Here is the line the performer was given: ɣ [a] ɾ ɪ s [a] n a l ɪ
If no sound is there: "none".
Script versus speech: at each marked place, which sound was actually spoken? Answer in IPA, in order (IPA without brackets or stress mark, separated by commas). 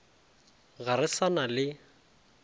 a, a